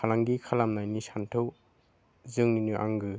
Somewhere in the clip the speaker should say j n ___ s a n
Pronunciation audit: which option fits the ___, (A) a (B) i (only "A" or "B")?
B